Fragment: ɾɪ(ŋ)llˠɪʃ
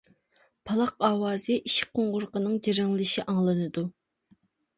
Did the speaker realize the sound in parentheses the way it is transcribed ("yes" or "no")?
yes